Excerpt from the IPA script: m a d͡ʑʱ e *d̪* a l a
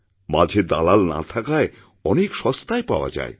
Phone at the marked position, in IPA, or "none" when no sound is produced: d̪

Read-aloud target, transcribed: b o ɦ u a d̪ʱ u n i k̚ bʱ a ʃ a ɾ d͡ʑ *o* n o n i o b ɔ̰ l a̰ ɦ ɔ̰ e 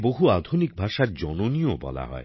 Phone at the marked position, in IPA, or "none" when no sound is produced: ɔ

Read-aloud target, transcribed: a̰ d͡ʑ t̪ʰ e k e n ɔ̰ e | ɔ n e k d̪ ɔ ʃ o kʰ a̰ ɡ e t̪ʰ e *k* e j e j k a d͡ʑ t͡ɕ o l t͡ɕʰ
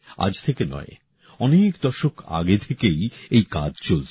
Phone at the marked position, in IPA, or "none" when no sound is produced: k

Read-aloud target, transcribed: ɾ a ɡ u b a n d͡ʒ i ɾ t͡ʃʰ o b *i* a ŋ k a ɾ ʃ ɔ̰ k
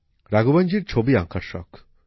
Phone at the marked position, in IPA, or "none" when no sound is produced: i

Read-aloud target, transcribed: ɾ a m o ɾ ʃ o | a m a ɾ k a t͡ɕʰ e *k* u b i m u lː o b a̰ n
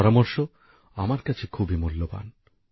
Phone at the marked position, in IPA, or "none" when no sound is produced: kʰ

